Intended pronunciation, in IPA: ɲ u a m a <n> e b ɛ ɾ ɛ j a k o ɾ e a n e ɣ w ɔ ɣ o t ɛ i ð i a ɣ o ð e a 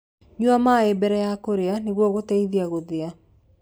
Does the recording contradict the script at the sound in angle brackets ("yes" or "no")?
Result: yes